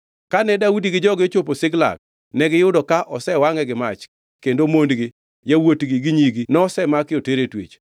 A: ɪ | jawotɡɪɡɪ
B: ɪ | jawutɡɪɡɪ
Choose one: A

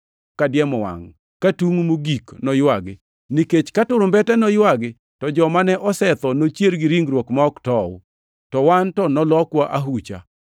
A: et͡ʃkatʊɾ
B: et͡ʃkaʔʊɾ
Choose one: A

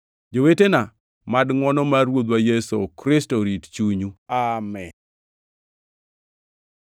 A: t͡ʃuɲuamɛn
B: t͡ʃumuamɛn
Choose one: A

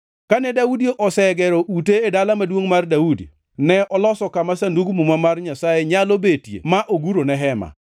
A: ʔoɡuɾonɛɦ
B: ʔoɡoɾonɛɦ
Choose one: A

